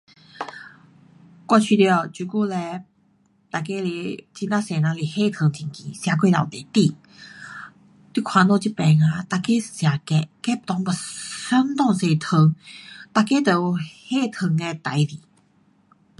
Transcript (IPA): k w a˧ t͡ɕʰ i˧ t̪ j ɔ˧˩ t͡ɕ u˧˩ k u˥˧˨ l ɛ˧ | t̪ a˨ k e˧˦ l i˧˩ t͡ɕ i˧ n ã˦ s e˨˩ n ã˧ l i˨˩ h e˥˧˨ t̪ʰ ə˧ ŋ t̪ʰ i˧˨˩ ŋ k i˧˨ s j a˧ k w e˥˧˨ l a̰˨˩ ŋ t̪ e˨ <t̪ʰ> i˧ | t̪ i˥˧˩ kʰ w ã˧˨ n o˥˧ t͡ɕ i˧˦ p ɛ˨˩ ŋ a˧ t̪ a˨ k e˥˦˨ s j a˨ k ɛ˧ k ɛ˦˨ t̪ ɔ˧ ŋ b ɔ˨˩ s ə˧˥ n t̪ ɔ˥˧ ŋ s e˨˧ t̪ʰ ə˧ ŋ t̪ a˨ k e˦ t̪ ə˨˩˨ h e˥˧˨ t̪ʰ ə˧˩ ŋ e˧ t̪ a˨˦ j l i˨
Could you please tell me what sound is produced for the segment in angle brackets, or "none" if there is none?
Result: t̪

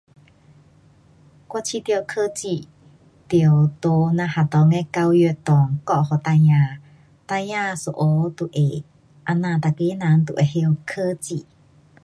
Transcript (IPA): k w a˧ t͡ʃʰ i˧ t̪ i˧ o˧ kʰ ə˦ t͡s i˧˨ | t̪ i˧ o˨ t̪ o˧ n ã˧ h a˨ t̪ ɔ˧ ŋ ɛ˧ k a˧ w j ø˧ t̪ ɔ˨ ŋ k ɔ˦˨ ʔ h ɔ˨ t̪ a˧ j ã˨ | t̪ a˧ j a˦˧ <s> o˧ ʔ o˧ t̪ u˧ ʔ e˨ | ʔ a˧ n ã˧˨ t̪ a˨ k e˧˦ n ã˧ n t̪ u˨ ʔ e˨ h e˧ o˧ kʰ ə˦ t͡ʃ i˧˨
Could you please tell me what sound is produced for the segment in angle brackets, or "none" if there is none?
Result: s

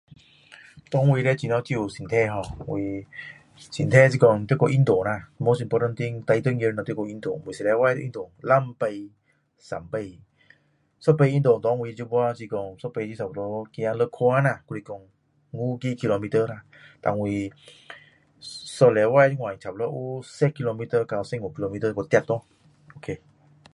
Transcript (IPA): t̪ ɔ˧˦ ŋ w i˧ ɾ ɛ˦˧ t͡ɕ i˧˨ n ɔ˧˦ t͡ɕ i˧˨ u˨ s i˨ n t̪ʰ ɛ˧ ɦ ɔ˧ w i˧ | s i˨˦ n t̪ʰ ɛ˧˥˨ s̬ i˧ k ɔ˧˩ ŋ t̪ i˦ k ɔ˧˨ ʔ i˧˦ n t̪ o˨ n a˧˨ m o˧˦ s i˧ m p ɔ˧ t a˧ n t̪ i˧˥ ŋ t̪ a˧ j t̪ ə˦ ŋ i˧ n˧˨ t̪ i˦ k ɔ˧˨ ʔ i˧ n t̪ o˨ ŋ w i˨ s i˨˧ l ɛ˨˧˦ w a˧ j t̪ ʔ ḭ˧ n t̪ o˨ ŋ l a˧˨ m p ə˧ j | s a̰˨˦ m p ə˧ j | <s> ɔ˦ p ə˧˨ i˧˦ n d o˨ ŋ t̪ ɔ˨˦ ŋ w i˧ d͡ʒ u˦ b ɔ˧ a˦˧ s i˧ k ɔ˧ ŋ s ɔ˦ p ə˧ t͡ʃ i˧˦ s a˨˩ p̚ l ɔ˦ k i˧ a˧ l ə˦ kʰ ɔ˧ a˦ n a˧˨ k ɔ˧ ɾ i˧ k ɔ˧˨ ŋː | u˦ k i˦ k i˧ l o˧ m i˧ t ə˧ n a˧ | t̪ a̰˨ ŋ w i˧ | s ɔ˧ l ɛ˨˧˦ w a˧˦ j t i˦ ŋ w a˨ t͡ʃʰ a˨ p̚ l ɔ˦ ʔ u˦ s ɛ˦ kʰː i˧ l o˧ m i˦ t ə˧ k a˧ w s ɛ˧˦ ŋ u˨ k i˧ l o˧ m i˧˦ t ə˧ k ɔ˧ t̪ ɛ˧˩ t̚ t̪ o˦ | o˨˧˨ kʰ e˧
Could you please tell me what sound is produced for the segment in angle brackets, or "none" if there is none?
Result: s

